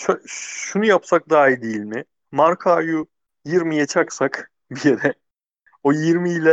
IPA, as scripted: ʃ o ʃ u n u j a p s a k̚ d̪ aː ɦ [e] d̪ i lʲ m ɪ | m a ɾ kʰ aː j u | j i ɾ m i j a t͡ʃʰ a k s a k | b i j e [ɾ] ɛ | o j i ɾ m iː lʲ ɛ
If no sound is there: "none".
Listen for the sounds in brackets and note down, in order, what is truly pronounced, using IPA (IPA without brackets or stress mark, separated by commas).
i, ɾ